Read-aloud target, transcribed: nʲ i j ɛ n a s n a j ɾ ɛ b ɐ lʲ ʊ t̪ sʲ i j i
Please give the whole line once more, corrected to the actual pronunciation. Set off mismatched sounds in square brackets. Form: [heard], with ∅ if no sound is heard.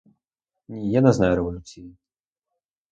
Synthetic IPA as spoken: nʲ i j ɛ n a [z] n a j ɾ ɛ [v] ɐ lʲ [u] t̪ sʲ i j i

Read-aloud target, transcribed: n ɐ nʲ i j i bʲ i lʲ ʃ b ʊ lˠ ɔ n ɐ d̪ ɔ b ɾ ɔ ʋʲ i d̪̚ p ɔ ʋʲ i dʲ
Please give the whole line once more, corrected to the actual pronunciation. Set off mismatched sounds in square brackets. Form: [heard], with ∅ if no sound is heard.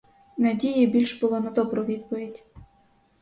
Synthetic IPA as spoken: n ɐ [dʲ] i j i bʲ i lʲ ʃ b ʊ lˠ ɔ n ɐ d̪ ɔ b ɾ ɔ ʋʲ i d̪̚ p ɔ ʋʲ i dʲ

